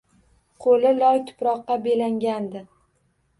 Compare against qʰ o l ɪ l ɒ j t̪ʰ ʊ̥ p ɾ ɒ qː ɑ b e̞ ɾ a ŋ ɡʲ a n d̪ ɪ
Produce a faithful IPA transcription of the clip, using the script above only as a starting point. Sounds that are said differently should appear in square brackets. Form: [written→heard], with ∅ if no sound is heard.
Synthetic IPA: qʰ o l ɪ l ɒ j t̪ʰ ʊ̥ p ɾ ɒ qː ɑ b e̞ [ɾ→l] a ŋ ɡʲ a n d̪ ɪ